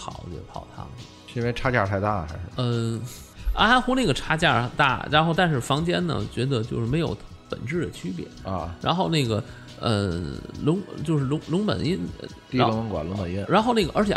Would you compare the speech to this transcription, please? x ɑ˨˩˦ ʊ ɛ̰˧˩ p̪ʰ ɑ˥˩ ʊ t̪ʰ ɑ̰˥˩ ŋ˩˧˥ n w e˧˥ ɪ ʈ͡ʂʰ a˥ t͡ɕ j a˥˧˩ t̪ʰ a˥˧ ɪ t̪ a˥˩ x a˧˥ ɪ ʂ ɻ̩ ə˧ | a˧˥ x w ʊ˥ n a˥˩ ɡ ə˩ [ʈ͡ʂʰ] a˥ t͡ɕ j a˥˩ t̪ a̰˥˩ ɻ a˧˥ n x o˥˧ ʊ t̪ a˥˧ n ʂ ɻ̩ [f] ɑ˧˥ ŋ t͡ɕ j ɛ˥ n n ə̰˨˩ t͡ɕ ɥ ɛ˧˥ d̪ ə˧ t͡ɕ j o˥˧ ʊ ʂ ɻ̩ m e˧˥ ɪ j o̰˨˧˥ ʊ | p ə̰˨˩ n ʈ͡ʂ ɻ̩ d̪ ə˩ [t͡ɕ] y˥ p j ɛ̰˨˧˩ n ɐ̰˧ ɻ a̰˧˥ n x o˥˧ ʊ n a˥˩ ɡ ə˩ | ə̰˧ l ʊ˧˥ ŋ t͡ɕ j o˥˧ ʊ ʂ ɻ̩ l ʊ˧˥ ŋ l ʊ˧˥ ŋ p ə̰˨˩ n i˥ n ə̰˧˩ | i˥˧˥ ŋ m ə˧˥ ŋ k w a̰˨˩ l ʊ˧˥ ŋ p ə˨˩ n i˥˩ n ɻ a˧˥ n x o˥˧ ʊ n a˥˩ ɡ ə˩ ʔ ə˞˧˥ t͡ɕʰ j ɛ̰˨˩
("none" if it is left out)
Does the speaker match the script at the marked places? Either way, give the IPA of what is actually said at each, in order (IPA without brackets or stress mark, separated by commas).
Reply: ʈ͡ʂʰ, f, t͡ɕʰ